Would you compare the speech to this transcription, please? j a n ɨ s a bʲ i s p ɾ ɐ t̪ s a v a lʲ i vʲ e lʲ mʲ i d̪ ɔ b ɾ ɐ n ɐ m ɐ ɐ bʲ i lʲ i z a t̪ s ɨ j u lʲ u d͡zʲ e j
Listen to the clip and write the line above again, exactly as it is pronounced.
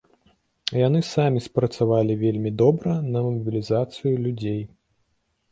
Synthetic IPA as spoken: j a n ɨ s a mʲ i s p ɾ ɐ t̪ s a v a lʲ i vʲ e lʲ mʲ i d̪ ɔ b ɾ ɐ n ɐ m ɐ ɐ bʲ i lʲ i z a t̪ s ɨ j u lʲ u d͡zʲ e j